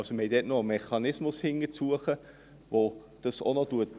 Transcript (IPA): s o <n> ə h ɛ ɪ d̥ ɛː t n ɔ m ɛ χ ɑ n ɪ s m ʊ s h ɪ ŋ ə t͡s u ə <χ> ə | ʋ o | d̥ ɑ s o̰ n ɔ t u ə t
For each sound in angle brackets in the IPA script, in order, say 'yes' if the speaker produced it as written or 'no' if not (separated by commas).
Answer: no, yes